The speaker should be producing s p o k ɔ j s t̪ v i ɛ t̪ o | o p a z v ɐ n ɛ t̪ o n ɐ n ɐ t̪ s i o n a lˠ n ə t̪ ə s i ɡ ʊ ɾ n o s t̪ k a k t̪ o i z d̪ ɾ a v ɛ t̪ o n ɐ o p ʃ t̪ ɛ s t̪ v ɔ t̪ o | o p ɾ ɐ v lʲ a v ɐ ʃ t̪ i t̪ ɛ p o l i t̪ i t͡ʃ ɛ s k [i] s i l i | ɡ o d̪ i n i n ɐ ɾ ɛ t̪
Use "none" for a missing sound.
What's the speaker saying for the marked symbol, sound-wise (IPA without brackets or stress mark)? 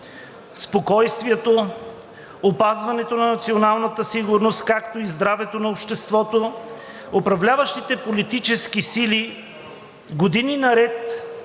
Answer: i